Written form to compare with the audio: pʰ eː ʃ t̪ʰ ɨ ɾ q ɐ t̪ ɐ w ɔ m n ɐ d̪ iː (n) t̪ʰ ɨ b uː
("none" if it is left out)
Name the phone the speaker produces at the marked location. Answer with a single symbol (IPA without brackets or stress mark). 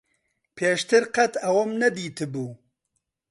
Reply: none